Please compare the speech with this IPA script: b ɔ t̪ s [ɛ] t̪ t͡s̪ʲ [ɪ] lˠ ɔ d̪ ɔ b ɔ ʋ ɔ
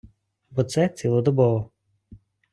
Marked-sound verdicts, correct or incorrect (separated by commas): correct, incorrect